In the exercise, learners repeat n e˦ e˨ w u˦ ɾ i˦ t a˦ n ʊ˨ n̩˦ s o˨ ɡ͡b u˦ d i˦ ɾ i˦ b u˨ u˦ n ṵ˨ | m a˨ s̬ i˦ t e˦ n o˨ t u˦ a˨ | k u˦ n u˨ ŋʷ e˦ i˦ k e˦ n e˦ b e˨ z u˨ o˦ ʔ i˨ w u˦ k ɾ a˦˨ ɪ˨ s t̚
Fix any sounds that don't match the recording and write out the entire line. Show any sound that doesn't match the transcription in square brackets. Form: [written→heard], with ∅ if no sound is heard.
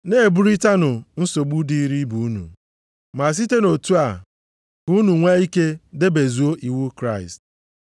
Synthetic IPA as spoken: n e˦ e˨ [w→b] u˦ ɾ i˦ t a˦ n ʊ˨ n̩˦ s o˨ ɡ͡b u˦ d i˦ ɾ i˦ b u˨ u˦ n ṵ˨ | m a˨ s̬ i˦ t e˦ n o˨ t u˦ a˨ | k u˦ n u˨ ŋʷ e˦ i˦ k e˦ [n→d] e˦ b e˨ z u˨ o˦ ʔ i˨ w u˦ k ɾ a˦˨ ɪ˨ s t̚

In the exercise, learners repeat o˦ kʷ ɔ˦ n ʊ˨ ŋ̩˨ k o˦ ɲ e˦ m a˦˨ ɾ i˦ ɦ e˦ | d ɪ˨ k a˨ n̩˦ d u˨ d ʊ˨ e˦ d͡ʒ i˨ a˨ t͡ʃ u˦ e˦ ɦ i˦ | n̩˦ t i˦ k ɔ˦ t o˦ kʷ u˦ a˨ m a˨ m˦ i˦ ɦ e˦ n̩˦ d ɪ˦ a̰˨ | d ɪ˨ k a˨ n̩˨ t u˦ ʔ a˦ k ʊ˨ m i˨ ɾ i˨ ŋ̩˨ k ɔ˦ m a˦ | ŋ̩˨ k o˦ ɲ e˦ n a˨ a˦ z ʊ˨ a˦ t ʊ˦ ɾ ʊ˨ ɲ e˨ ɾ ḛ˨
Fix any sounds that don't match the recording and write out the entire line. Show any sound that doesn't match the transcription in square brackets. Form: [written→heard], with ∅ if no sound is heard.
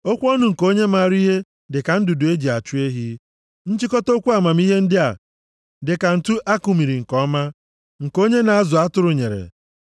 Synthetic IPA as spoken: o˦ kʷ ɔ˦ n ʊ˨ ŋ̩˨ k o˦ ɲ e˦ m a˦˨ ɾ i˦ ɦ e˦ | d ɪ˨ k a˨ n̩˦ d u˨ d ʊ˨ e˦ d͡ʒ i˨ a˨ t͡ʃ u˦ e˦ ɦ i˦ | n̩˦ [t→t͡ʃ] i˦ k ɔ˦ t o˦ kʷ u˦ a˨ m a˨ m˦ i˦ ɦ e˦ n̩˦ d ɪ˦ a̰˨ | d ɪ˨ k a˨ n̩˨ t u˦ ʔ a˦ k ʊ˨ m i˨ ɾ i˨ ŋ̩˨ k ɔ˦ m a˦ | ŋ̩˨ k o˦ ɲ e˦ n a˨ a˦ z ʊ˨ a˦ t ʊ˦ ɾ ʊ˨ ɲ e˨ ɾ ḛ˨

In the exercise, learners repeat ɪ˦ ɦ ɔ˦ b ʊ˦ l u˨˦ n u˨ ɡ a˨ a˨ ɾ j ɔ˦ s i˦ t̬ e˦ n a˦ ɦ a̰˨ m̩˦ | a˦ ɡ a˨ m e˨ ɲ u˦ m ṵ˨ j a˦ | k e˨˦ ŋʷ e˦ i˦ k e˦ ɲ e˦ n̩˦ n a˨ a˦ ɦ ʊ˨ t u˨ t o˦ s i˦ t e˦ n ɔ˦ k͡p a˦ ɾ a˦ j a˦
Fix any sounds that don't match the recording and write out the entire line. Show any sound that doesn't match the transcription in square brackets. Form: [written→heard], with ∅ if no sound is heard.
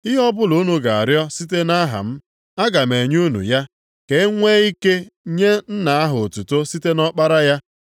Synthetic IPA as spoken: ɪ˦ ɦ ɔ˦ b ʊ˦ l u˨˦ n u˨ ɡ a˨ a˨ ɾ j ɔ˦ s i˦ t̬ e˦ n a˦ ɦ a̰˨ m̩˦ | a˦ ɡ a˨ m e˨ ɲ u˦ [m→n] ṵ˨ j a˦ | k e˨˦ ŋʷ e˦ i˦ k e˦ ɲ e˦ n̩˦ n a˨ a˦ ɦ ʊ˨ t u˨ t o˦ s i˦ t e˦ n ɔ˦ k͡p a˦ ɾ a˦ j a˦

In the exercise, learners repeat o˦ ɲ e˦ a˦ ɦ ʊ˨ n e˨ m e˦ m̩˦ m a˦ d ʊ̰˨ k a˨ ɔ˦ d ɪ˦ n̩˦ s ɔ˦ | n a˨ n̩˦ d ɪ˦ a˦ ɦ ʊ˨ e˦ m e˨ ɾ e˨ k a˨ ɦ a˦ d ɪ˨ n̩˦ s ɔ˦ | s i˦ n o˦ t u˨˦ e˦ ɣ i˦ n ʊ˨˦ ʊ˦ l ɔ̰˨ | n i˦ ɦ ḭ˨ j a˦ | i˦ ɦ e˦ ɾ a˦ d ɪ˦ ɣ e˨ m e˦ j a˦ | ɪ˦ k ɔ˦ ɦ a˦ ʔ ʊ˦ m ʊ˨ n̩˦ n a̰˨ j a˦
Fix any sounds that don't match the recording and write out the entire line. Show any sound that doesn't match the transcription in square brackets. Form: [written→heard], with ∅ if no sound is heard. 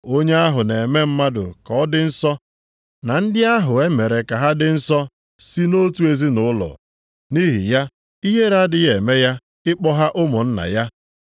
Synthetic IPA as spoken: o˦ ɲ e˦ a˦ ɦ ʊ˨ n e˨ m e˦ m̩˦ m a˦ d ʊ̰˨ k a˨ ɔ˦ d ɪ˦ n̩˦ s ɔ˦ | n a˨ n̩˦ d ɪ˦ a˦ ɦ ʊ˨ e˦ m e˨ ɾ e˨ k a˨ ɦ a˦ d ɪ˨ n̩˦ s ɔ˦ | s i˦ n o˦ t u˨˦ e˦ [ɣ→z] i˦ n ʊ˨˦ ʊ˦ l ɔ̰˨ | n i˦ ɦ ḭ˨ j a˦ | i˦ ɦ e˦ ɾ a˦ d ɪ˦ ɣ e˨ m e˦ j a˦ | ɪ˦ [k→k͡p] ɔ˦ ɦ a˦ ʔ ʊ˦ m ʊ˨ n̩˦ n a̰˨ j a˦

